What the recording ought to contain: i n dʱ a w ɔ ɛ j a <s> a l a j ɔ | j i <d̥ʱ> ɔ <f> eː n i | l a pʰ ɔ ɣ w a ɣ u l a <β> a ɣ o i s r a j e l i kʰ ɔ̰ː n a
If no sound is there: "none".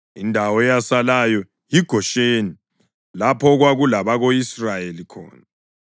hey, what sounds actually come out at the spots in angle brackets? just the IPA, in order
s, ɡ̥ʱ, ʃ, β

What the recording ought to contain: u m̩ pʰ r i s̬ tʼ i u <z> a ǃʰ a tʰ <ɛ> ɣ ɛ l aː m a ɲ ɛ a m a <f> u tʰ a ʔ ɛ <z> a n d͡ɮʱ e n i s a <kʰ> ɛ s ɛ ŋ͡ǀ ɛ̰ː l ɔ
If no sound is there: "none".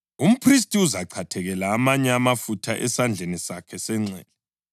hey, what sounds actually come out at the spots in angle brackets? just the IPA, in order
z, ɛ, f, s, kʰ

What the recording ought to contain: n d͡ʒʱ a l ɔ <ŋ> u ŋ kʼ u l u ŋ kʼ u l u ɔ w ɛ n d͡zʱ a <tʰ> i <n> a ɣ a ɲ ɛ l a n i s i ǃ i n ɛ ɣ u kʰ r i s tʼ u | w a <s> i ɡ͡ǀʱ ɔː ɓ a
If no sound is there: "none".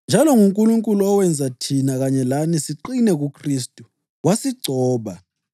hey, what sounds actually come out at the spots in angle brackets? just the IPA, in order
ŋ, tʰ, n, s

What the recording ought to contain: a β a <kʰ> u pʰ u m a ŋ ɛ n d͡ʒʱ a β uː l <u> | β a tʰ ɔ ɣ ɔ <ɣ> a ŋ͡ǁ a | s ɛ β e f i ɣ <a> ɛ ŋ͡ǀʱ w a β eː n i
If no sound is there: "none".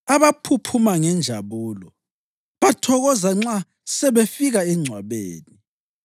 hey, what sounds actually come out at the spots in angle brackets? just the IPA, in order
pʰ, ɔ, z, a

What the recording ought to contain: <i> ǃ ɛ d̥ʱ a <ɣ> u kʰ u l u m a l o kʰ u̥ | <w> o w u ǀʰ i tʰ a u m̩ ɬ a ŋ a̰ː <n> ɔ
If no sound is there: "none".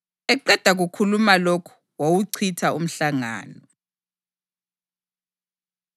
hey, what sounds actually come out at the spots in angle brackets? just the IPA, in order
ɛ, ɣ, w, n

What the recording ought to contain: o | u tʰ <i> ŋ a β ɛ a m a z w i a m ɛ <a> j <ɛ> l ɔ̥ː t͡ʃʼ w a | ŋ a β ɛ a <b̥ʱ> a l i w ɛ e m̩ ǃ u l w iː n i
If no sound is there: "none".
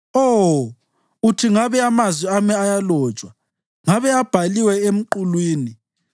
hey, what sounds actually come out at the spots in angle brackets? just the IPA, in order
i, a, a, b̥ʱ

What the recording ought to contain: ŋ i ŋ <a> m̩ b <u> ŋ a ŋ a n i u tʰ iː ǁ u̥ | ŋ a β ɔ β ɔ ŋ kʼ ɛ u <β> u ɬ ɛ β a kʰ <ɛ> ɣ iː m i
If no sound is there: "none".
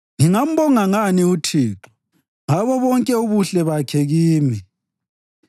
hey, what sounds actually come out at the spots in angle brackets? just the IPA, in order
a, ɔ, β, ɛ

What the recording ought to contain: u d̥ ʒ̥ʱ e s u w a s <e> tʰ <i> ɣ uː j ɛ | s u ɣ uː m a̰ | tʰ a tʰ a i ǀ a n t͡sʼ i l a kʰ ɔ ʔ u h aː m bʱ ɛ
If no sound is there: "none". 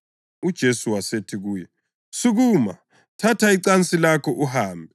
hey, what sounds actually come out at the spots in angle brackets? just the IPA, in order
e, i

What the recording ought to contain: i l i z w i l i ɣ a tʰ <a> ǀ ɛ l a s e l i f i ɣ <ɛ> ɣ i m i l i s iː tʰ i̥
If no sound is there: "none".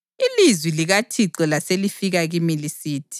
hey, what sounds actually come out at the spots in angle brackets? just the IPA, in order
i, a

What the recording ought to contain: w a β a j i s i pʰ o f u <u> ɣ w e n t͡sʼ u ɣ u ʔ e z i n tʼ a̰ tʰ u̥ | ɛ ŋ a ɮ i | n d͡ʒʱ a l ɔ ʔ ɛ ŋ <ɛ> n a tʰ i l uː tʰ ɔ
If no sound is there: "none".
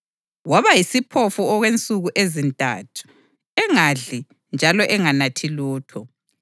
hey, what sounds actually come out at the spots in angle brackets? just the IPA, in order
ɔ, a

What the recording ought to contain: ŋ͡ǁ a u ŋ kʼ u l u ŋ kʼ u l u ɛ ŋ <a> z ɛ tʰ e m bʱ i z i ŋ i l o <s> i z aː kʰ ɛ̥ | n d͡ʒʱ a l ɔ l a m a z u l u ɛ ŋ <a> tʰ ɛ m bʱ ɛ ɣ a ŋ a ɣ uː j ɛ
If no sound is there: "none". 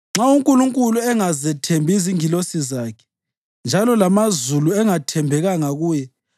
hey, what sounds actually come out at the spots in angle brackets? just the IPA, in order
a, s, a

